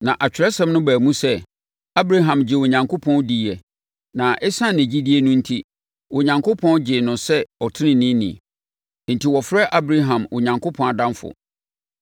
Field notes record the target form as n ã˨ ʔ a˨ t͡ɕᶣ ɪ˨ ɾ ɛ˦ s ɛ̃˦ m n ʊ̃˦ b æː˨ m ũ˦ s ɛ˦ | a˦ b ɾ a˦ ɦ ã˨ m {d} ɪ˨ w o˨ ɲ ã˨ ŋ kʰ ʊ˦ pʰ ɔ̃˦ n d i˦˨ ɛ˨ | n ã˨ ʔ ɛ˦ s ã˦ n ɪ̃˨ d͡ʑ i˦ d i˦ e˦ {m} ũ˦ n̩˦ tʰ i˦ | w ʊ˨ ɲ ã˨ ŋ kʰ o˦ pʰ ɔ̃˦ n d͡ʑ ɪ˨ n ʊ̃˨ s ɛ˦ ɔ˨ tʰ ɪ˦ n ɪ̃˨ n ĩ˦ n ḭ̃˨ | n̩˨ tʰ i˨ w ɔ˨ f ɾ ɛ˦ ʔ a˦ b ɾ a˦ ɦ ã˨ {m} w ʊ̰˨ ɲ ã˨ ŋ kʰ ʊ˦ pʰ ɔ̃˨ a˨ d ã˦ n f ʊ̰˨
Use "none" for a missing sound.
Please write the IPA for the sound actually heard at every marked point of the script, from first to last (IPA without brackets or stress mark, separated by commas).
d͡ʑ, n, m